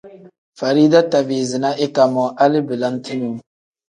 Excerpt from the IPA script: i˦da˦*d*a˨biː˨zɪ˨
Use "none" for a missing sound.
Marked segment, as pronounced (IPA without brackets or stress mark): t